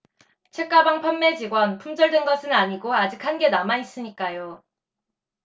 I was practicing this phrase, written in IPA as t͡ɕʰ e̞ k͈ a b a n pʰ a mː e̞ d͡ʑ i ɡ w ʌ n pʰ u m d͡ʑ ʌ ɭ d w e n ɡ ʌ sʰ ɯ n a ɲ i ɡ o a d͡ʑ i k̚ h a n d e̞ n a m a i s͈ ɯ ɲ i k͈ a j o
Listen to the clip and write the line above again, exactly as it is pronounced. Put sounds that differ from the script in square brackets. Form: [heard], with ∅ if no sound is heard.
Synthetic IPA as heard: t͡ɕʰ e̞ k͈ a b a [ŋ] pʰ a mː e̞ d͡ʑ i ɡ w ʌ n pʰ u m d͡ʑ ʌ ɭ d w e n ɡ ʌ sʰ ɯ n a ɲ i ɡ o a d͡ʑ i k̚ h a n [ɡ] e̞ n a m a i s͈ ɯ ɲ i k͈ a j o